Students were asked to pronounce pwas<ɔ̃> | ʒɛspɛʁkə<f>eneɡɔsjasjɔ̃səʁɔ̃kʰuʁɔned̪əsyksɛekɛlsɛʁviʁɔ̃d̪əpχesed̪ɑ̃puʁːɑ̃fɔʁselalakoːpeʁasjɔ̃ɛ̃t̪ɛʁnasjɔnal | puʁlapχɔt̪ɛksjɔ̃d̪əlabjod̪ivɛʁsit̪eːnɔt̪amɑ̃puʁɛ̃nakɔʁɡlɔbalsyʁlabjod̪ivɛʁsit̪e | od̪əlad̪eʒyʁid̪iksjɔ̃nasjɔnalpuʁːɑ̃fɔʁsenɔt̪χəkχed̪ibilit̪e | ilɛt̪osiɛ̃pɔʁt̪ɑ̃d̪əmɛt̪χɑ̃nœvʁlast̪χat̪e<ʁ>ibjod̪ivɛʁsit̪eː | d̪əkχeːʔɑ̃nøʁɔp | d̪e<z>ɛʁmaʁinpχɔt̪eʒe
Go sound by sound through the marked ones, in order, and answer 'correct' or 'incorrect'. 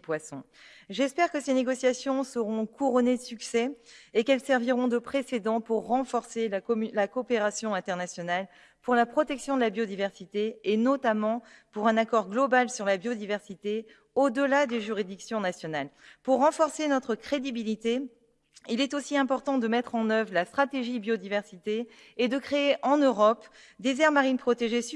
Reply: correct, incorrect: s, incorrect: ʒ, correct

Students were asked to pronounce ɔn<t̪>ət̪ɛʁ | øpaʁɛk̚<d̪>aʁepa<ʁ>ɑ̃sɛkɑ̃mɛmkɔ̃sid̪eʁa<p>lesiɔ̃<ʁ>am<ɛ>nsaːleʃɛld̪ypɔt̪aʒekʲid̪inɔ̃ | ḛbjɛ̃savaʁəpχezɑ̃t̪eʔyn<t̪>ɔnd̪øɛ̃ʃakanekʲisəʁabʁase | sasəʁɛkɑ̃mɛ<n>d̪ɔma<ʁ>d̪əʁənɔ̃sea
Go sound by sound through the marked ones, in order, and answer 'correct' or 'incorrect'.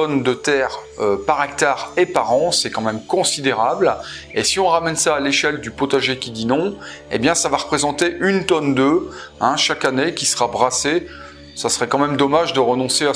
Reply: incorrect: d̪, incorrect: t̪, correct, incorrect: b, correct, correct, correct, incorrect: m, incorrect: ʒ

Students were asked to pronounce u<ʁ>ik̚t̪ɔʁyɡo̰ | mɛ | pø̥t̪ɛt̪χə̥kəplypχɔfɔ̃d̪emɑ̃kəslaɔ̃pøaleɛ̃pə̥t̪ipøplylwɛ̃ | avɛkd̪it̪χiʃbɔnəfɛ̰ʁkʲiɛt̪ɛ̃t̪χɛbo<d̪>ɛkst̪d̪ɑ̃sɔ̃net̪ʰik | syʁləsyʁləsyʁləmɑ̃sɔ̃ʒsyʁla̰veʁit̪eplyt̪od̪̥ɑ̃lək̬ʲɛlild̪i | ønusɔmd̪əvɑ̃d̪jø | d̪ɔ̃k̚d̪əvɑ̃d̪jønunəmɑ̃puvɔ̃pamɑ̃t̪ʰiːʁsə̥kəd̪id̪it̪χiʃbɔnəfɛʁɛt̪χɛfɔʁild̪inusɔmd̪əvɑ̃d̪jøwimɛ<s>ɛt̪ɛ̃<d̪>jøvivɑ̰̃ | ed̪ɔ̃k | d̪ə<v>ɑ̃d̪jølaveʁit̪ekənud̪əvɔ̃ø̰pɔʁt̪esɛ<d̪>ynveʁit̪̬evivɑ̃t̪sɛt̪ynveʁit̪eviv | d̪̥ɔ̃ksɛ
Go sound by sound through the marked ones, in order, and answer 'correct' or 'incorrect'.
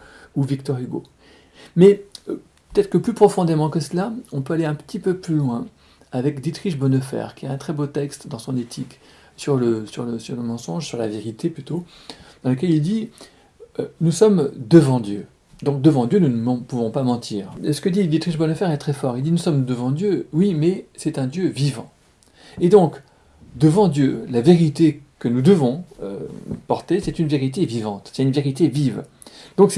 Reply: incorrect: v, incorrect: t̪, correct, correct, correct, incorrect: t̪

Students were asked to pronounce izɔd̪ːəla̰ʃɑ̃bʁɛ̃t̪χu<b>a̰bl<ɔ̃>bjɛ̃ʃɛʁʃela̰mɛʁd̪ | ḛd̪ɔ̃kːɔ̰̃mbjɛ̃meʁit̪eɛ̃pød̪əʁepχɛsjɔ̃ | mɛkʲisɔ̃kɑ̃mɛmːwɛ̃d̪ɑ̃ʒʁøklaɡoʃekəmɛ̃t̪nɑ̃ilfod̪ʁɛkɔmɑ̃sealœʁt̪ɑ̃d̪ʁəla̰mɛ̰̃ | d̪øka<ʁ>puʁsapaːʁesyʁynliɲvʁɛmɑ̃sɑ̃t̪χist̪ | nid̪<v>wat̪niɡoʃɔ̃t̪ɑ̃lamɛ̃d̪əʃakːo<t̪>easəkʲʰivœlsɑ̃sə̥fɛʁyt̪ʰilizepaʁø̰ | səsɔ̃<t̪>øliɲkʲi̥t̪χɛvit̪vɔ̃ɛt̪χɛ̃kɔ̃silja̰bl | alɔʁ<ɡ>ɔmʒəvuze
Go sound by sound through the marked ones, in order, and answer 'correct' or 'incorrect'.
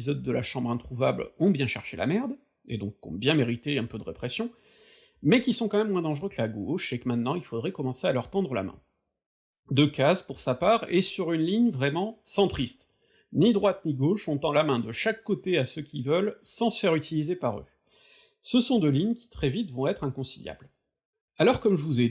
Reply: incorrect: v, correct, incorrect: z, incorrect: ʁ, correct, incorrect: d̪, incorrect: k

